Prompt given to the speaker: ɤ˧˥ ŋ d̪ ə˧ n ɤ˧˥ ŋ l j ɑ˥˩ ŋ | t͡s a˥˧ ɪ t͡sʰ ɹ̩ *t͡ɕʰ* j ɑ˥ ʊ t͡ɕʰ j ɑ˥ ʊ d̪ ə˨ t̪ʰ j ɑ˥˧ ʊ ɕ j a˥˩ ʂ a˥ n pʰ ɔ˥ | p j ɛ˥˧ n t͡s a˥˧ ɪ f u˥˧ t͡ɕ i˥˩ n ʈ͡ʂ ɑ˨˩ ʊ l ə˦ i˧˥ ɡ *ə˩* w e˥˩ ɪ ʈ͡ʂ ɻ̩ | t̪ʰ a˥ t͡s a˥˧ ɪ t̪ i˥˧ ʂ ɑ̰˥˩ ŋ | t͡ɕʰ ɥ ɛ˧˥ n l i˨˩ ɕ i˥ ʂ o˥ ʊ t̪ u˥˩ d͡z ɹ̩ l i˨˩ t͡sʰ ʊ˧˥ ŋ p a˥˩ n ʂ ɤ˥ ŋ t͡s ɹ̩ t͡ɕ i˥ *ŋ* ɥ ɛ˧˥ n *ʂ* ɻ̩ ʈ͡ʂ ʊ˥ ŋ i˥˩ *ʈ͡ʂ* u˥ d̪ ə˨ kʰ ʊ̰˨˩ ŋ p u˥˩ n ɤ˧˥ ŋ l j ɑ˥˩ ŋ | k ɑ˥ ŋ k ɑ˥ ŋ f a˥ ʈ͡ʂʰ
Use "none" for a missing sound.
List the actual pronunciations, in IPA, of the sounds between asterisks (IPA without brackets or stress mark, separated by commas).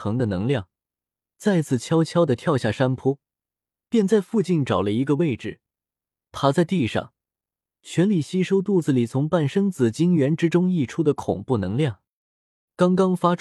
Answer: t͡ɕʰ, ə˧, ŋ, ʈ͡ʂ, ʈ͡ʂʰ